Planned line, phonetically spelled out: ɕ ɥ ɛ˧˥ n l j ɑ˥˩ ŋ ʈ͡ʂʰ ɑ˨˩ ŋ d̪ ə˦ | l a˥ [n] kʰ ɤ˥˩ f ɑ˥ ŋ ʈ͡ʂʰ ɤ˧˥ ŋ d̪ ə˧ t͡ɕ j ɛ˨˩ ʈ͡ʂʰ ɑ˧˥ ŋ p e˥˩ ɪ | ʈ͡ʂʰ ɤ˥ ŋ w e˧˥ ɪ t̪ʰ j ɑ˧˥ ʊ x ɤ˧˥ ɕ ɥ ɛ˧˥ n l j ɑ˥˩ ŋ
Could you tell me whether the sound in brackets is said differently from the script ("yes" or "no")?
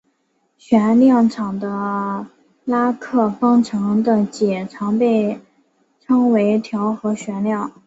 yes